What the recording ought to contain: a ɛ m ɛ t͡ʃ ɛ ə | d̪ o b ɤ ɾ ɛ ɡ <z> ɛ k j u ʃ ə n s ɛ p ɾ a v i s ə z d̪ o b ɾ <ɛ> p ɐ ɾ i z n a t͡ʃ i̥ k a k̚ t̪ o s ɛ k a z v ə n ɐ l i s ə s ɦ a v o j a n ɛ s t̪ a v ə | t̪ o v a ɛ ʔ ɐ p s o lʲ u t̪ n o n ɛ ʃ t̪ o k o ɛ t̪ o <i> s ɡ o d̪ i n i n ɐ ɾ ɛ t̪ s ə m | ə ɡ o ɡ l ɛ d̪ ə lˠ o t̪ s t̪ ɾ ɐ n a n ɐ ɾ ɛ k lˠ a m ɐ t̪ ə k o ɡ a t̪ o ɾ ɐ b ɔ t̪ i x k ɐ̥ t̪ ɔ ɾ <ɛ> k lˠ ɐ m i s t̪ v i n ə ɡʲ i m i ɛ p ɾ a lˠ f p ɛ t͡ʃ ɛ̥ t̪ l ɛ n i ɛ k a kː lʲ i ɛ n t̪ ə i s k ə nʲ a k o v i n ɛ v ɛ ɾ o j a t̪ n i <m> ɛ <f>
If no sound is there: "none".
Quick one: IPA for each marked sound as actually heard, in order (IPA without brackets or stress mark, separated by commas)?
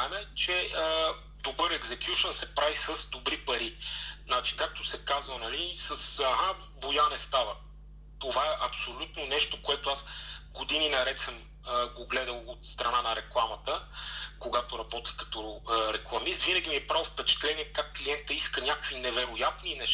z, i, a, ɛ, n, ʃ